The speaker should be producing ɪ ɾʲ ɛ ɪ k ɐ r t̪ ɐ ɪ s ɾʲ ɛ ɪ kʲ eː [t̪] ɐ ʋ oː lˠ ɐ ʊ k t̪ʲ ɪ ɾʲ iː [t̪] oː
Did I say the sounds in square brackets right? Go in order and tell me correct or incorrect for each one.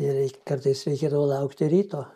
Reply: incorrect: d̪, correct

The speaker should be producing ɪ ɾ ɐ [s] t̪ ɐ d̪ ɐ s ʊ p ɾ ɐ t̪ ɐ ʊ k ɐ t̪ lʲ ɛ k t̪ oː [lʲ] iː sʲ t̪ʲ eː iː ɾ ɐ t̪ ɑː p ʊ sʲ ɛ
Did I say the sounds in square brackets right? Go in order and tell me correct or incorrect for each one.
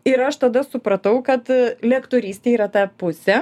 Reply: incorrect: ʃ, incorrect: ɾʲ

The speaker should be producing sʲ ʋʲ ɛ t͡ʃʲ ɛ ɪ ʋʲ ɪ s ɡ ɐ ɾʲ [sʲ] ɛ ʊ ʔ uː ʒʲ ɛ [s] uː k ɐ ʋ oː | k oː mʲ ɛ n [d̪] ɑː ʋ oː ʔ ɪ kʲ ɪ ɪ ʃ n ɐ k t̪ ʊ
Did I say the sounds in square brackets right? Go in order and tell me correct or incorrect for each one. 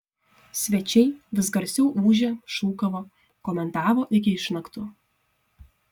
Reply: correct, incorrect: ʃ, incorrect: t̪

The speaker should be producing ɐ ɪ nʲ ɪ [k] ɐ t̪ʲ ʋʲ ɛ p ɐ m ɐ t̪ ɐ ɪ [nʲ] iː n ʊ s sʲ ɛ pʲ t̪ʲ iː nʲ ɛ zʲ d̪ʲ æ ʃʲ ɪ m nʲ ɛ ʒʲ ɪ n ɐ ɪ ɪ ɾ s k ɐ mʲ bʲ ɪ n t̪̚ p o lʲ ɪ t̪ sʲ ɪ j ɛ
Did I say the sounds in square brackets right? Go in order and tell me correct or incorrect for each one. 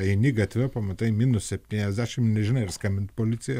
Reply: incorrect: ɡ, incorrect: mʲ

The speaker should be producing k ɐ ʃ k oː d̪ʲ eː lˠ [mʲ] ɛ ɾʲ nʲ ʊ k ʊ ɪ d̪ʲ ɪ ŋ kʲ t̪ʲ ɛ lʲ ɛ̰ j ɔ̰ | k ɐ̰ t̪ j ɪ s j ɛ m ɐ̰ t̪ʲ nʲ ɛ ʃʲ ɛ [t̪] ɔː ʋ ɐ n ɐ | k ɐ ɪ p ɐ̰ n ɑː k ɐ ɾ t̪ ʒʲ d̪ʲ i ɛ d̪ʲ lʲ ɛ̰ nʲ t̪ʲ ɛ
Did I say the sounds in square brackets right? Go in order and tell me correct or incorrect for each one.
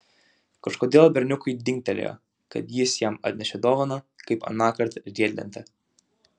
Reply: incorrect: bʲ, incorrect: d̪

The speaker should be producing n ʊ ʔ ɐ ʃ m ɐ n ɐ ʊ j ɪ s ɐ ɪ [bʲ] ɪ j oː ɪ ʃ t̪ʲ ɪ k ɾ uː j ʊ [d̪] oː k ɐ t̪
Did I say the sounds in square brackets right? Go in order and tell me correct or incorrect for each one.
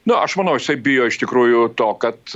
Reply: correct, incorrect: t̪

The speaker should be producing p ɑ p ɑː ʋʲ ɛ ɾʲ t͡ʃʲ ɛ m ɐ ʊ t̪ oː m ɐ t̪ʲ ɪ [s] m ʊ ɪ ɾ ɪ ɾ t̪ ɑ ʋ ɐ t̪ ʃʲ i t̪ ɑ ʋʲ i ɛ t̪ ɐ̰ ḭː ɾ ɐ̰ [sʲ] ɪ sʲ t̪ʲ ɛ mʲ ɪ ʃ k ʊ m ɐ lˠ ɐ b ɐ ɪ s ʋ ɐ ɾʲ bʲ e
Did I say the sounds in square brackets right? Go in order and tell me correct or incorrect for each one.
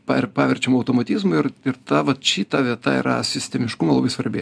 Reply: incorrect: z, correct

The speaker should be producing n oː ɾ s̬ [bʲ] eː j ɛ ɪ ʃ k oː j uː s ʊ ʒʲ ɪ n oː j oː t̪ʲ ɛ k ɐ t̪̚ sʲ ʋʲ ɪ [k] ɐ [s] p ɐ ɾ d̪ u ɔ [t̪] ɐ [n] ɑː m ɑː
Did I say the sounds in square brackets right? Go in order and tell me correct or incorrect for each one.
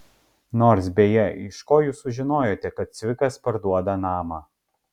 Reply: correct, correct, correct, incorrect: d̪, correct

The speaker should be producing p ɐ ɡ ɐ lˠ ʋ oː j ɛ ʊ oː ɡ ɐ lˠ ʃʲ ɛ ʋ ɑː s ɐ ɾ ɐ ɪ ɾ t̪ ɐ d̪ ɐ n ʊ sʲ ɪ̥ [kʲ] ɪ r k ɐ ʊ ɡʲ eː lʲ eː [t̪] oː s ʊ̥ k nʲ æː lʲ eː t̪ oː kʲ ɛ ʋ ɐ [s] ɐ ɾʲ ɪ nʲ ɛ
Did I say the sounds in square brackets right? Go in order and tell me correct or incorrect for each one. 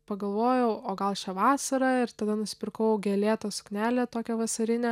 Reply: incorrect: pʲ, correct, correct

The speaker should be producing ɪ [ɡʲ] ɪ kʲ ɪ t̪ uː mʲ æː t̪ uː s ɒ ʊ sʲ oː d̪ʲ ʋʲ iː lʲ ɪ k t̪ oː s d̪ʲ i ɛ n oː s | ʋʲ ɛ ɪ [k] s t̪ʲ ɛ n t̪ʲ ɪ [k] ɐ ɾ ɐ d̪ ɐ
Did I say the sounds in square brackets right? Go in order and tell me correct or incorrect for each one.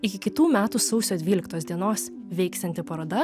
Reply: incorrect: kʲ, correct, incorrect: p

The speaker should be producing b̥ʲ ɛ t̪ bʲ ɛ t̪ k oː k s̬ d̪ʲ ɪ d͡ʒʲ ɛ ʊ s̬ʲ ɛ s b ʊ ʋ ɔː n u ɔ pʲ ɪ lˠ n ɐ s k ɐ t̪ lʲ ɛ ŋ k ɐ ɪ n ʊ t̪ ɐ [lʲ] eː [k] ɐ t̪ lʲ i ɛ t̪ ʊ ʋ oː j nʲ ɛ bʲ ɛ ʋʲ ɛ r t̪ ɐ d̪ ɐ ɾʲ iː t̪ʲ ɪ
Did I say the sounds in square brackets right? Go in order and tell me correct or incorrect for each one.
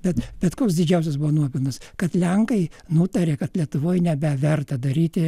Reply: incorrect: ɾʲ, correct

